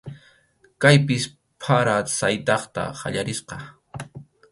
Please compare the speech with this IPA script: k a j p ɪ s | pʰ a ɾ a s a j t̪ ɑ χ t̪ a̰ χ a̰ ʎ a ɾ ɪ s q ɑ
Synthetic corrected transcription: k a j p ɪ s | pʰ a ɾ a s a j t̪ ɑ χ t̪ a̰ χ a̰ ʎ a ɾ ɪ s q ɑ